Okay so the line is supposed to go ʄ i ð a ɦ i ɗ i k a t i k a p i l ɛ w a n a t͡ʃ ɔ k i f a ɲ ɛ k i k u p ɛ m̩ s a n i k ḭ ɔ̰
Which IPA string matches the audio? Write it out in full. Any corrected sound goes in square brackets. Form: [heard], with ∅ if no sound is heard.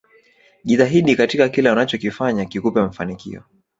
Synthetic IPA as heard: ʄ i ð a ɦ i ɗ i k a t i k a [k] i l ɛ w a n a t͡ʃ ɔ k i f a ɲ [a] k i k u p ɛ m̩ [f] a n i k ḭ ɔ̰